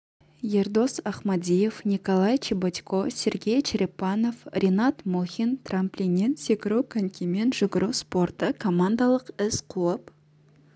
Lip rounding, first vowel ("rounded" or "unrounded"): unrounded